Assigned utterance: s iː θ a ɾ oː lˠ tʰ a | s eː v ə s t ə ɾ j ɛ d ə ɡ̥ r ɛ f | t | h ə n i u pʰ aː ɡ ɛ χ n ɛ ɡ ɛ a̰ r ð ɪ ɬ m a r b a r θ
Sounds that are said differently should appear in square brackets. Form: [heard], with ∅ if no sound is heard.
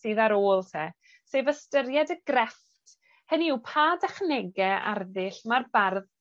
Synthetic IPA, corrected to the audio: s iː [ð] a ɾ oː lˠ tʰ [ɛ] | s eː v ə s t ə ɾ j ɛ d ə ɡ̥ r ɛ f | t | h ə n i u pʰ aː [d] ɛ χ n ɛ ɡ ɛ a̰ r ð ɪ ɬ m a r b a r [ð]